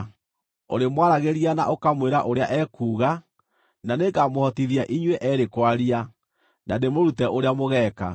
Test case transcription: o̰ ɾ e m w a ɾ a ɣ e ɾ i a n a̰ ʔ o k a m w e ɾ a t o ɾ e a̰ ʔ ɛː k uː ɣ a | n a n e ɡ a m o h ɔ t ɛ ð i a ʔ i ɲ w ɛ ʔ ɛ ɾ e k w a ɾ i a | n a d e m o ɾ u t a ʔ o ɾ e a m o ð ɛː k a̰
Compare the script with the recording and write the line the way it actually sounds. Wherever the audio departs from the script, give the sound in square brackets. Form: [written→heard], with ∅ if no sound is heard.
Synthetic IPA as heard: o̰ ɾ e m w a ɾ a ɣ e ɾ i a n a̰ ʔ o k a m w e ɾ a [t→ʔ] o ɾ e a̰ ʔ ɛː k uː ɣ a | n a n e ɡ a m o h ɔ t [ɛ→i] ð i a ʔ i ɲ w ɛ ʔ ɛ ɾ e k w a ɾ i a | n a d e m o ɾ u t [a→ɛ] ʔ o ɾ e a m o [ð→ɣ] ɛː k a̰